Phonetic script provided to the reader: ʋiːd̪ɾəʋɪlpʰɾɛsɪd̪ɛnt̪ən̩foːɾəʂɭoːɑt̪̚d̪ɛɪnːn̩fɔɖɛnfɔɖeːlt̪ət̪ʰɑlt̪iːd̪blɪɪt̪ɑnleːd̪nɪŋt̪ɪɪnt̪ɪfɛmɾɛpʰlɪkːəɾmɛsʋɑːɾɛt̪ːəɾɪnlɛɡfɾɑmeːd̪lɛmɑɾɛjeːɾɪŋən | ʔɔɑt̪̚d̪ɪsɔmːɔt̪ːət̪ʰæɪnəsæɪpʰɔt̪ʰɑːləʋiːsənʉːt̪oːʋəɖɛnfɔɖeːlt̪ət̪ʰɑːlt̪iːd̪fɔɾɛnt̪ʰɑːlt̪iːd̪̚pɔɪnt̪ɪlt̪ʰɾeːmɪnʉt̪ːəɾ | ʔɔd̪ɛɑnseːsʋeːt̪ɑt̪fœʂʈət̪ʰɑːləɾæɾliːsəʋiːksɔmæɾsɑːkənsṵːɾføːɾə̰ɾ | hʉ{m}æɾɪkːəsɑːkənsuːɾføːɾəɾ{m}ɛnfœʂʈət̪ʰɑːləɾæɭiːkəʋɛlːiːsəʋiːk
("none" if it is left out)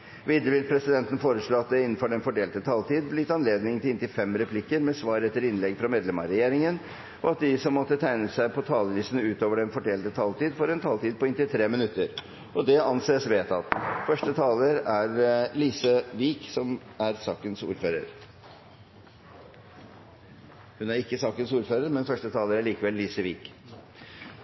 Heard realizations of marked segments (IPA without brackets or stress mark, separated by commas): n, m